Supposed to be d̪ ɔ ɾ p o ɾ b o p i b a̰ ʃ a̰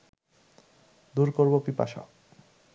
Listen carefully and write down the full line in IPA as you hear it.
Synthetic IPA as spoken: d̪ u ɾ k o ɾ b o p i p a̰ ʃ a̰